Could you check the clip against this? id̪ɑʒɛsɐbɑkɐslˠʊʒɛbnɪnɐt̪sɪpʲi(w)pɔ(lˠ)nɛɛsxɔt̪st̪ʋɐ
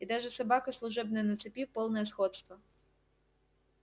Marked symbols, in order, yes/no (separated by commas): yes, yes